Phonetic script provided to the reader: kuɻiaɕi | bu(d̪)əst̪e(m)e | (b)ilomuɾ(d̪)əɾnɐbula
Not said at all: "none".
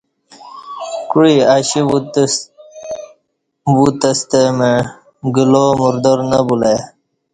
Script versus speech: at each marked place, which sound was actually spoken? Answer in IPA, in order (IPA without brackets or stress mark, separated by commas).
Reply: t̪, m, ɡ, d̪